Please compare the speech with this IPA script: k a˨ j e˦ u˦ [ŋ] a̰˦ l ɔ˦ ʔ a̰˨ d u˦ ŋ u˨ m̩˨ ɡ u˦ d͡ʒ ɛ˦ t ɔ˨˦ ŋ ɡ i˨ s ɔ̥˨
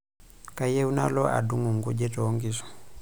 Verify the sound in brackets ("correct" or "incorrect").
incorrect